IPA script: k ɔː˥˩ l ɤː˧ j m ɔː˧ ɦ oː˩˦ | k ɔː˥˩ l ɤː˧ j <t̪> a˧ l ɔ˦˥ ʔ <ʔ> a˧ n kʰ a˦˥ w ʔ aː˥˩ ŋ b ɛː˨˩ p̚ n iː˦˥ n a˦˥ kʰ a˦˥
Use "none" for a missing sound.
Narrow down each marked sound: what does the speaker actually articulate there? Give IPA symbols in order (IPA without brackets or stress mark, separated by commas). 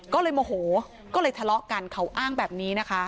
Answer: t̪ʰ, k